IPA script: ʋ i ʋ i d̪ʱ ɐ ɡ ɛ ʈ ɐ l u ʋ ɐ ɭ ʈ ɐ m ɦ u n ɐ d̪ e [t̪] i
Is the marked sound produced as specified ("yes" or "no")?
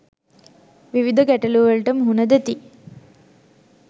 yes